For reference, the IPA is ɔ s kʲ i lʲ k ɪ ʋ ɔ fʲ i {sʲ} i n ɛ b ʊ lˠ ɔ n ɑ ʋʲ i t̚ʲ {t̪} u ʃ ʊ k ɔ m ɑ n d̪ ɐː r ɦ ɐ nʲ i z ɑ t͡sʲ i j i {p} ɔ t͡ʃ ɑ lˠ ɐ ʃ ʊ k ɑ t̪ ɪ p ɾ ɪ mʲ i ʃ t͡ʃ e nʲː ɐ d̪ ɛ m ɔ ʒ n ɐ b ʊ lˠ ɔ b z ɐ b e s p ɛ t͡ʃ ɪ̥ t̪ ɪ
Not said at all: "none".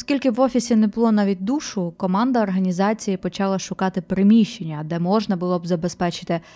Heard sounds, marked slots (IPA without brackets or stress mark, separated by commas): sʲ, d̪, p